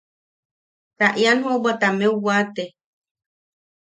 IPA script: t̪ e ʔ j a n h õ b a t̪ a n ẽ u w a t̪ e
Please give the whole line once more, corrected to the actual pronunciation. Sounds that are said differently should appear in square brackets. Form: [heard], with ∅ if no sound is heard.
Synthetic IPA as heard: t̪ [a] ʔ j a n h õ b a t̪ a [m] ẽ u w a t̪ e